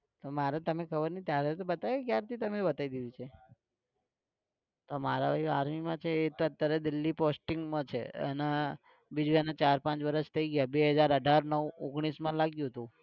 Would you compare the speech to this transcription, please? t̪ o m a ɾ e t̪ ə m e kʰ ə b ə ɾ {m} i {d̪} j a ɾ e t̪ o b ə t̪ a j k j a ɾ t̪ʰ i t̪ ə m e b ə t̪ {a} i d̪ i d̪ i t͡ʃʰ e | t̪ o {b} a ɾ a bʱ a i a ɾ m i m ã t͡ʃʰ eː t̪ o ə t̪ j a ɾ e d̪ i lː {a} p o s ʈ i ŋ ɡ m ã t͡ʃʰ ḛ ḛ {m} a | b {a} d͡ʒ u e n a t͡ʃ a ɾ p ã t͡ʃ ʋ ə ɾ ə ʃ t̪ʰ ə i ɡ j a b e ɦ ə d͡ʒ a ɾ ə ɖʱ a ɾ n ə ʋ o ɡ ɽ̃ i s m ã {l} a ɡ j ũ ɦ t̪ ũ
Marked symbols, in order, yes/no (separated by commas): no, no, yes, no, no, no, no, yes